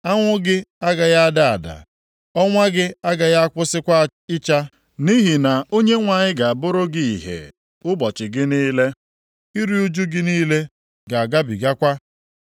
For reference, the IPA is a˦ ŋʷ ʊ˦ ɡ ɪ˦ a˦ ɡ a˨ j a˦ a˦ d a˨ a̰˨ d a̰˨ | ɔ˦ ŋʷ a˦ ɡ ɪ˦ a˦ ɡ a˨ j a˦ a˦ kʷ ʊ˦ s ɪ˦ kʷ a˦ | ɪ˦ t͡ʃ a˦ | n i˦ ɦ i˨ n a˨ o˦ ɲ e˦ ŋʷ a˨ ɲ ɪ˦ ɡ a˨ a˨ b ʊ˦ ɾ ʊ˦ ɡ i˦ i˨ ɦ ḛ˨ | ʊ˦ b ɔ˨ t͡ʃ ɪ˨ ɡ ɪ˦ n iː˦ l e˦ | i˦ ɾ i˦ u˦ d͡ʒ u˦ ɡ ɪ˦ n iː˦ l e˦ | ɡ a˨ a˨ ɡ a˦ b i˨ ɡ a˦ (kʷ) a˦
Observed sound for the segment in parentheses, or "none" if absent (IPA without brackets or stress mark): kʷ